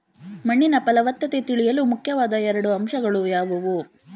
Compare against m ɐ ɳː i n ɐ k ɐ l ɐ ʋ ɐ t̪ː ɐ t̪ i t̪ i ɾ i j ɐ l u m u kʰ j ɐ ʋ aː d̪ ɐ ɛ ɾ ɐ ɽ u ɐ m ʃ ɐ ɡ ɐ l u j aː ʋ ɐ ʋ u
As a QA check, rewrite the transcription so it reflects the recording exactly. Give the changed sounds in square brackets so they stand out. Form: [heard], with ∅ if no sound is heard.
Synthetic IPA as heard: m ɐ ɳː i n ɐ [p] ɐ l ɐ ʋ ɐ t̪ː ɐ t̪ [e] t̪ i [ɭ] i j ɐ l u m u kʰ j ɐ ʋ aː d̪ ɐ ɛ ɾ ɐ ɽ u ɐ m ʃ ɐ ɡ ɐ [ɭ] u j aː ʋ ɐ ʋ u